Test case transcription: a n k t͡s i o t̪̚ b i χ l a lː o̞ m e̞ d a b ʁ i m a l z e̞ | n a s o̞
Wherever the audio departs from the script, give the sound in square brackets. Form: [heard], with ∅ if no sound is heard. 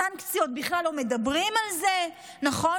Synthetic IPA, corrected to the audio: a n k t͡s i o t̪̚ b i χ l a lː o̞ m e̞ d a b ʁ i m a l z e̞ | n a [χ] o̞

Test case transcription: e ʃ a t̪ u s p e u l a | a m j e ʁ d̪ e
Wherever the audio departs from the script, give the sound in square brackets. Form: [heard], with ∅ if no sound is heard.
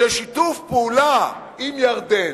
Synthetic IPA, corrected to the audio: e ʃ [i] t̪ u [f] p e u l a | [i] m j [a] ʁ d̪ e

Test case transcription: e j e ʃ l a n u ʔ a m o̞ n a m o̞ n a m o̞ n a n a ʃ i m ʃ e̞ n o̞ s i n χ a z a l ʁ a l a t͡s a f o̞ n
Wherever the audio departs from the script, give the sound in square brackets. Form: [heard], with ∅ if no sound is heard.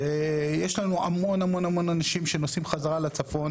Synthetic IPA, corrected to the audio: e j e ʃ l a n u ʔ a m o̞ n a m o̞ n a m o̞ n a n a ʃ i m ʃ e̞ n o̞ s i [m] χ a z a [∅] ʁ a l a t͡s a f o̞ n

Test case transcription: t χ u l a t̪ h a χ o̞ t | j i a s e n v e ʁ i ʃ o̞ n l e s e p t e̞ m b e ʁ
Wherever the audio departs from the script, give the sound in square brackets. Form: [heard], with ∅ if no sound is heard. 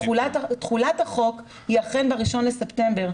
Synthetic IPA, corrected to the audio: t χ u l a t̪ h a χ o̞ [k] | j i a [χ] e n [b] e ʁ i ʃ o̞ n l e s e p t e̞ m b e ʁ

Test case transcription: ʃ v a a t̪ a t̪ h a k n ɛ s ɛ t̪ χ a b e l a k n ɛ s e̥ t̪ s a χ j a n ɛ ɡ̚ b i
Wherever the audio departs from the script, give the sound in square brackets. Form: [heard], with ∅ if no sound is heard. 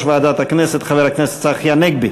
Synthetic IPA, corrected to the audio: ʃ v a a [d̪] a t̪ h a k n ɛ s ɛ t̪ χ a [v] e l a k n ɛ s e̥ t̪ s a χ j a n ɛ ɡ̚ b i

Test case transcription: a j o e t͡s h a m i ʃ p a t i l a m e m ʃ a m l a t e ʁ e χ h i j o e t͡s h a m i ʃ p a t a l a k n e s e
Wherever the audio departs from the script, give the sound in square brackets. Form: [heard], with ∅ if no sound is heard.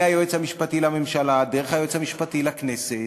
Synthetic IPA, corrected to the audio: a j o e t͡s h a m i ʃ p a t i l a m e m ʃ a [∅] l a [d] e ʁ e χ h [a] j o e t͡s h a m i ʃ p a t [i] l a k n e s e

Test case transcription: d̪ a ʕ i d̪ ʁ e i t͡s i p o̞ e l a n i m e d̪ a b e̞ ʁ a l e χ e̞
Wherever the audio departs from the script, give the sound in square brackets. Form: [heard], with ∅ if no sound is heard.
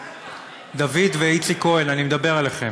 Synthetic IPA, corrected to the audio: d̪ a [v] i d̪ [v] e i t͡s i [k] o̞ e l a n i m e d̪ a b e̞ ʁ a l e χ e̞

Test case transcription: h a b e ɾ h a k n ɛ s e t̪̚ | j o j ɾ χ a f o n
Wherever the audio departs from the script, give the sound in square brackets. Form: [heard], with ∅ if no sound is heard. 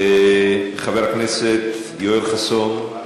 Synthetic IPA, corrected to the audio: [χ] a [v] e ɾ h a k n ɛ s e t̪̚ | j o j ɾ χ a [s] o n

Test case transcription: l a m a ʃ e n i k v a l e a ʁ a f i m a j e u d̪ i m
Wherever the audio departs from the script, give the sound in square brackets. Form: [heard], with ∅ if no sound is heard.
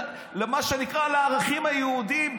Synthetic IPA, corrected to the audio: l [e] m a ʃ e n i k [ʁ] a l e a ʁ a [χ] i m a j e u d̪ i m

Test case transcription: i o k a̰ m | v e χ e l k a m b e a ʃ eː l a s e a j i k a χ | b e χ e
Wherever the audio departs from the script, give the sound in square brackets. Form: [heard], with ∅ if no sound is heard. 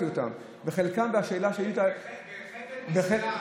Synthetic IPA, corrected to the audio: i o [t] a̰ m | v e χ e l k a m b e a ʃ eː l a [ʃ] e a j i [t] a [∅] | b e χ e

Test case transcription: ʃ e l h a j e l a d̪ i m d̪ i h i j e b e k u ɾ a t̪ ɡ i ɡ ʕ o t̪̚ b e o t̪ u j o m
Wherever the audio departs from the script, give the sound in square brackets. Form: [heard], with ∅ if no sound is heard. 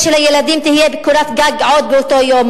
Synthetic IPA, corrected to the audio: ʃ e l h a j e l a d̪ i m [t̪] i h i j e b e k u ɾ a t̪ ɡ [a] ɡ ʕ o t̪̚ b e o t̪ [o] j o m

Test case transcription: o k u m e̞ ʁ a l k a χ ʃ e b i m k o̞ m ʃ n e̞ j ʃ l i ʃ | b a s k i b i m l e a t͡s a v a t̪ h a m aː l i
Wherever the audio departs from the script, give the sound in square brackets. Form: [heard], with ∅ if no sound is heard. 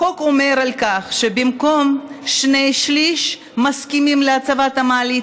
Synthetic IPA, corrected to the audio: o k [o] m e̞ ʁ a l k a χ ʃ e b i m k o̞ m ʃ n e̞ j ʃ l i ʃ | [m] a s k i [m] i m l e a t͡s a v a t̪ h a m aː l i

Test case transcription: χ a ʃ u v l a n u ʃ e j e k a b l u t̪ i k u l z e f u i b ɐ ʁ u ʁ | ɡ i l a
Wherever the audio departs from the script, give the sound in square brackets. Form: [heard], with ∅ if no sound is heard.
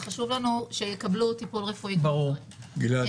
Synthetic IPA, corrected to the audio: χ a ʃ u v l a n u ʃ e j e k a b l u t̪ i [p] u l [ʁ] e f u i b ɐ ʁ u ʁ | ɡ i l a

